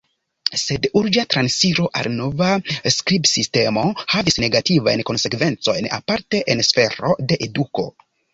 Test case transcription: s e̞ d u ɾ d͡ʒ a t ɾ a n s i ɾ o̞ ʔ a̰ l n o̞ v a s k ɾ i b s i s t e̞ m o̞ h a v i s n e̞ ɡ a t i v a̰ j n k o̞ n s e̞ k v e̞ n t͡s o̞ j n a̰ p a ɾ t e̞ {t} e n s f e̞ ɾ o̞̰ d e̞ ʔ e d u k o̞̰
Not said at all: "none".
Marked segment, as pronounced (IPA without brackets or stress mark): ʔ